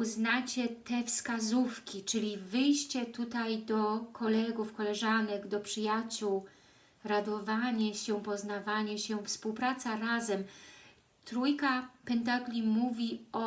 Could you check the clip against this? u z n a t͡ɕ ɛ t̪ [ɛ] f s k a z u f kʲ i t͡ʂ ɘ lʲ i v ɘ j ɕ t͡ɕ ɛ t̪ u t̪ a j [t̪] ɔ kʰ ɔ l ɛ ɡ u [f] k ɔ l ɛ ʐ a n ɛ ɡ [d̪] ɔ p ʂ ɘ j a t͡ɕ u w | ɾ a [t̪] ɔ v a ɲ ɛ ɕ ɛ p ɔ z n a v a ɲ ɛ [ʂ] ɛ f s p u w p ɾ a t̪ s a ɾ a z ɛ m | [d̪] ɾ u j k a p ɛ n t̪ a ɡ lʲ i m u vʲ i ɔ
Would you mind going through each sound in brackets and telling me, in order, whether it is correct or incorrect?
correct, incorrect: d̪, correct, correct, incorrect: d̪, incorrect: ɕ, incorrect: t̪

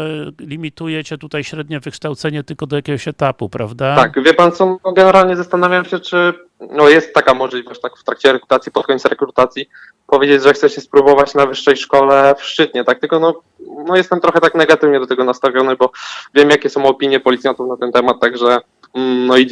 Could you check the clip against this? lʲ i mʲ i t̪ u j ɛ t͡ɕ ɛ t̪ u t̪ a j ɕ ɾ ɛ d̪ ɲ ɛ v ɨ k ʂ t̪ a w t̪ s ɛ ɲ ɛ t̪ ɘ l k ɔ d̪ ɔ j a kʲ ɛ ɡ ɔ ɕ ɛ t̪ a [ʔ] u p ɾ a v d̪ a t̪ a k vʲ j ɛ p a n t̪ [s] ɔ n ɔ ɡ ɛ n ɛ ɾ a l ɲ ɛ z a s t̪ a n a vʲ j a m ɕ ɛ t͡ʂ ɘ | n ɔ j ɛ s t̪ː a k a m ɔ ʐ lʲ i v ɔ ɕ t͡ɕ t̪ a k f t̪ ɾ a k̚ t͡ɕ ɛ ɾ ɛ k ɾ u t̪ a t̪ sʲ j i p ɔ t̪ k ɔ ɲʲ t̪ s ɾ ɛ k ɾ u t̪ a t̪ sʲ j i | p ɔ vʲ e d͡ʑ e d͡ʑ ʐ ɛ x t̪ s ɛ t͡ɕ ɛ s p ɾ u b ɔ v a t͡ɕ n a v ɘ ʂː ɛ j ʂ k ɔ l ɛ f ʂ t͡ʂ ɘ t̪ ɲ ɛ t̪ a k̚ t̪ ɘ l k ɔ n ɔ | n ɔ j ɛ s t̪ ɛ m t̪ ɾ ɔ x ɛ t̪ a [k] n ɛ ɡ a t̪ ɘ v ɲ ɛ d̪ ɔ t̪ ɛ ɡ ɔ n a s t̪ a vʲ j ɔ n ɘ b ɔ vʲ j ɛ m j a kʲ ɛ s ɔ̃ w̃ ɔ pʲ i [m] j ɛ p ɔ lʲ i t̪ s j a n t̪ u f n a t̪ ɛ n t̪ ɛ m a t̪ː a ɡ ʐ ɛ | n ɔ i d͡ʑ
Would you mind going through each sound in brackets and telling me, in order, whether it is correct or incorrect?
incorrect: p, correct, correct, incorrect: ɲ

